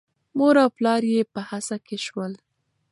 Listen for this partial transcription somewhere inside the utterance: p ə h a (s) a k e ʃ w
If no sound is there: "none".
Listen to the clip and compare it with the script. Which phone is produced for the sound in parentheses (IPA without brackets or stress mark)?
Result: s